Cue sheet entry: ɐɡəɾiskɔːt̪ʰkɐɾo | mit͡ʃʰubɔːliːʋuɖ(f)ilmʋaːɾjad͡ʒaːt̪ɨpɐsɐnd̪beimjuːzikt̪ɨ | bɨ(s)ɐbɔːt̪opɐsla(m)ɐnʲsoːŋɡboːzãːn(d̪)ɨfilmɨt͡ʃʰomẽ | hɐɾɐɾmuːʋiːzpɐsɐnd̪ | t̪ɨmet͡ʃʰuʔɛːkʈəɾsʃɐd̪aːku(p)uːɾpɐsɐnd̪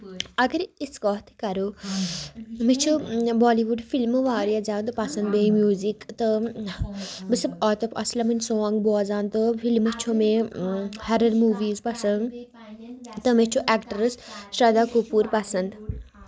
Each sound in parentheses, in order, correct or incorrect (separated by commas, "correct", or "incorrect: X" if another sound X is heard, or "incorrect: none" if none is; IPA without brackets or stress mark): correct, correct, correct, incorrect: t̪, correct